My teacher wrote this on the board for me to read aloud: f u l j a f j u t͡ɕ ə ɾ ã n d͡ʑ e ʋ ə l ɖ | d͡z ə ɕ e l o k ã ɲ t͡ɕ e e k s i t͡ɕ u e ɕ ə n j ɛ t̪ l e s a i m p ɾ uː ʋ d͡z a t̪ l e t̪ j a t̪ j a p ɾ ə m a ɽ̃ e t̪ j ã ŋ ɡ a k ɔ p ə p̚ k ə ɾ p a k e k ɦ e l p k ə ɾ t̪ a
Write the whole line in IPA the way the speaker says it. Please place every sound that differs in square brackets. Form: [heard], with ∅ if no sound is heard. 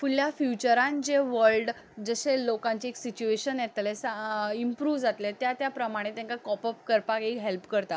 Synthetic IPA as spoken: f u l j a f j u t͡ɕ ə ɾ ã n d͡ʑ e ʋ ə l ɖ | d͡z ə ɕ e l o k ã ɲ t͡ɕ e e k s i t͡ɕ u e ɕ ə n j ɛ t̪ l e s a i m p ɾ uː ʋ d͡z a t̪ l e t̪ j a t̪ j a p ɾ ə m a ɽ̃ e t̪ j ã ŋ [k] a k ɔ p ə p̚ k ə ɾ p a k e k ɦ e l p k ə ɾ t̪ a